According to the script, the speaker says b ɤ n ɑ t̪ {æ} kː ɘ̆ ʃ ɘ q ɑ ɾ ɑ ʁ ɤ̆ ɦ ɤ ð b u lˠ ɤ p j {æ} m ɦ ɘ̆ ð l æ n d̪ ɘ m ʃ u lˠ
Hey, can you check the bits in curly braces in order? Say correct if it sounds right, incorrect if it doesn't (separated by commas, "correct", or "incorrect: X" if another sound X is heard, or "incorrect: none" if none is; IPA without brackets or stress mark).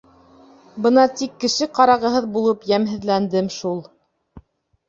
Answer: incorrect: i, correct